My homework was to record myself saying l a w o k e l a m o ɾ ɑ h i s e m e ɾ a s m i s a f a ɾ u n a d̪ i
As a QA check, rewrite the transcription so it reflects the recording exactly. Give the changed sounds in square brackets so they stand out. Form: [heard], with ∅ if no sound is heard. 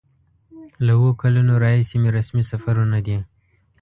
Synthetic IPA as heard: l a w o k [a] l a [n] o ɾ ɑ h i s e m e ɾ a s m i s a f a ɾ u n a d̪ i